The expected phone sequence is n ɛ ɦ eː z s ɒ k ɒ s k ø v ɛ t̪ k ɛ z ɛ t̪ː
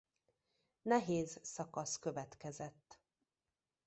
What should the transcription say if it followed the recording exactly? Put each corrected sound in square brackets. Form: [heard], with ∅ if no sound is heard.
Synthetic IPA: n ɛ ɦ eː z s ɒ k ɒ s k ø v ɛ t̪ k ɛ z ɛ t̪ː